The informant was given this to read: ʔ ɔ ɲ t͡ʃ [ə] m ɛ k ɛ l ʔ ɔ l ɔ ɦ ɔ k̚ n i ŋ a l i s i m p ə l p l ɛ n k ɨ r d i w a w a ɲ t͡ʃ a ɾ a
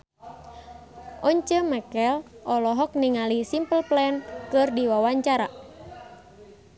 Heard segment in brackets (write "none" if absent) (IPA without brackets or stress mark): ə